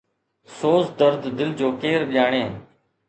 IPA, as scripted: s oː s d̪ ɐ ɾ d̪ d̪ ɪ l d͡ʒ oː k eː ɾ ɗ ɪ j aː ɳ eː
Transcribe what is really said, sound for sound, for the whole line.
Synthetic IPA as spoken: s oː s d̪ ə ɾ d̪ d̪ ɪ l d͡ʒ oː k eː ɾ ɗ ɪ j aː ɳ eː